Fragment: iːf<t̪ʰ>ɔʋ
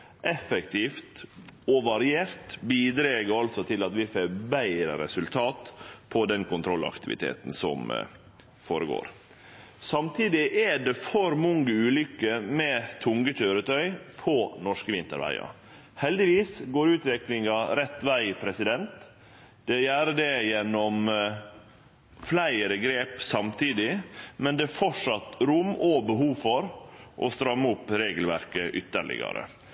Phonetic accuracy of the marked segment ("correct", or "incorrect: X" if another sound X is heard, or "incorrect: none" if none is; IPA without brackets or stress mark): incorrect: t̪